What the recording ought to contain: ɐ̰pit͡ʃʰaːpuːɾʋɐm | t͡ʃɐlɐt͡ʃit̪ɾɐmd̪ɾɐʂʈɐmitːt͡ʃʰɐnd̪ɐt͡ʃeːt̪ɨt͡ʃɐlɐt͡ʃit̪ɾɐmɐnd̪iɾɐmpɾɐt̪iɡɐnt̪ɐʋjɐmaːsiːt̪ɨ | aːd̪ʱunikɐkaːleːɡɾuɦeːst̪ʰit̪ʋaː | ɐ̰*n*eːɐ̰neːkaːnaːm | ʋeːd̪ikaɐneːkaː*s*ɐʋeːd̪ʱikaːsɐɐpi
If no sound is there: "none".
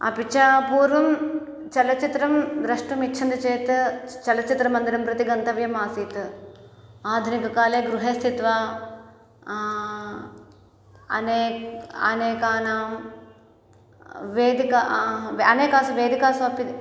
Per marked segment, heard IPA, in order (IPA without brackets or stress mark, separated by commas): n, s